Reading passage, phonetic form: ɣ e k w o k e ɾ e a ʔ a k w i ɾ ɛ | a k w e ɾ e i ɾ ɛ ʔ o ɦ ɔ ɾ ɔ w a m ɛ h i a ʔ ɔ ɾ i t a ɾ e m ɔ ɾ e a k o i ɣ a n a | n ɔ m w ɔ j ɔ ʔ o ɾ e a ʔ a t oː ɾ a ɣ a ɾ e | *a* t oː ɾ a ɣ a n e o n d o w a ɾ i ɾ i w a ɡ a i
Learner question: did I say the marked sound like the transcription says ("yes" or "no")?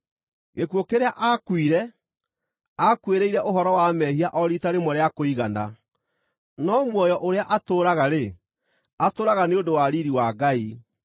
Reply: yes